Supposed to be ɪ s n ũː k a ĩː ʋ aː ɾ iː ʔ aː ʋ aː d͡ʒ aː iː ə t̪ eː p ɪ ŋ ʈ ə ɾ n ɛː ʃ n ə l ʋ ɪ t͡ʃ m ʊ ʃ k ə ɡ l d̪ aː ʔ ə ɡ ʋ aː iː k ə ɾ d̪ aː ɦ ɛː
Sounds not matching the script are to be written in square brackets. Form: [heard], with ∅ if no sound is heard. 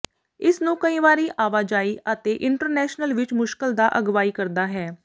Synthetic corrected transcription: ɪ s n ũː k [ə] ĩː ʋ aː ɾ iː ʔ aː ʋ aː d͡ʒ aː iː ə t̪ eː [ʔ] ɪ [ɳ] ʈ ə ɾ n ɛː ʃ n ə l ʋ ɪ t͡ʃ m ʊ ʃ k ə [∅] l d̪ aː ʔ ə ɡ ʋ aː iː k ə ɾ d̪ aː ɦ ɛː